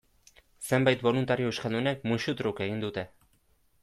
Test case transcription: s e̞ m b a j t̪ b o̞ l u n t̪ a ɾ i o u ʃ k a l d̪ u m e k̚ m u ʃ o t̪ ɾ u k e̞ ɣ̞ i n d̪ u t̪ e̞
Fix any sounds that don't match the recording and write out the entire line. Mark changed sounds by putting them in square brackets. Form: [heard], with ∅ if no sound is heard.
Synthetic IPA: s e̞ m b a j t̪ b o̞ l u n t̪ a ɾ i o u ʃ k a l d̪ u [n] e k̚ m u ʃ [u] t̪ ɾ u k e̞ ɣ̞ i n d̪ u t̪ e̞

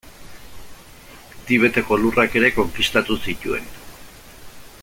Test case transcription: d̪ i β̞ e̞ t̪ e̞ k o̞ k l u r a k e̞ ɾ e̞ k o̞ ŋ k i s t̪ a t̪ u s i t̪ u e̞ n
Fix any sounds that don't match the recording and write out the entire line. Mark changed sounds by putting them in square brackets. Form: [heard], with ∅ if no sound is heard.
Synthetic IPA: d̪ i β̞ e̞ t̪ e̞ k o̞ [∅] l u r a k e̞ ɾ e̞ k o̞ ŋ k i s t̪ a t̪ u s i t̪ u e̞ n

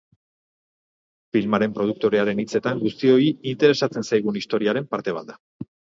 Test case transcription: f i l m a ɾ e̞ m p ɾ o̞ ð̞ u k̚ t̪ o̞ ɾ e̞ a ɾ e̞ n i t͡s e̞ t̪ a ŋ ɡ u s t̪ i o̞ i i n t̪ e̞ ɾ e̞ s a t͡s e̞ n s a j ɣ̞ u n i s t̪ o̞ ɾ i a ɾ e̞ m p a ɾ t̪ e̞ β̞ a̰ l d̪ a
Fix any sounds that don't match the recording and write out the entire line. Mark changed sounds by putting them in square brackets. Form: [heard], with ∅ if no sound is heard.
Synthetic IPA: f i l m a ɾ e̞ m p ɾ o̞ ð̞ u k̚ t̪ o̞ ɾ e̞ a ɾ e̞ n i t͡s e̞ t̪ a ŋ ɡ u s t̪ i o̞ i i n t̪ e̞ ɾ e̞ s a t͡s e̞ n s a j ɣ̞ u n i s t̪ o̞ ɾ i a ɾ e̞ m p a ɾ t̪ e̞ β̞ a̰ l d̪ a

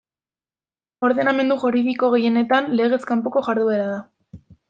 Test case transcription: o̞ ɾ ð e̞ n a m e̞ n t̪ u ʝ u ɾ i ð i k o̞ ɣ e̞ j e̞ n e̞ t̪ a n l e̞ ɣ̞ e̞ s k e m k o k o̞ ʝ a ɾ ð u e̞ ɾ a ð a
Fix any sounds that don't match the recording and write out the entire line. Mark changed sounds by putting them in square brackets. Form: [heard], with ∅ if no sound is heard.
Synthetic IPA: o̞ ɾ ð e̞ n a m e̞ n [d̪] u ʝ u ɾ i ð i k o̞ ɣ e̞ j e̞ n e̞ t̪ a n l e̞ ɣ̞ e̞ s k [a] m [p] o k o̞ ʝ a ɾ ð u e̞ ɾ a ð a

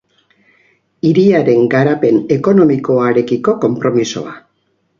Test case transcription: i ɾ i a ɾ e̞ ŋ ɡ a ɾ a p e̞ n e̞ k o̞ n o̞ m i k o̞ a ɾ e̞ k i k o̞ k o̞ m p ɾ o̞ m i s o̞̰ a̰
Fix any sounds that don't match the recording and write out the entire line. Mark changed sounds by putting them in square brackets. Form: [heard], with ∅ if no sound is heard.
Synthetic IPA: i ɾ i a ɾ e̞ ŋ ɡ a ɾ a p e̞ n e̞ k o̞ n o̞ m i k o̞ a ɾ e̞ k i k o̞ k o̞ m p ɾ o̞ m i s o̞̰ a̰

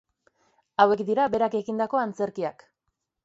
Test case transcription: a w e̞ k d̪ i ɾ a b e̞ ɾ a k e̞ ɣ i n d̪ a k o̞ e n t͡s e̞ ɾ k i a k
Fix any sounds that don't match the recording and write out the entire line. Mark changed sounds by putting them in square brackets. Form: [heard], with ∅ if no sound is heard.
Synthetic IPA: a w e̞ k d̪ i ɾ a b e̞ ɾ a k e̞ ɣ i n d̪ a k o̞ [a] n t͡s e̞ ɾ k i a k

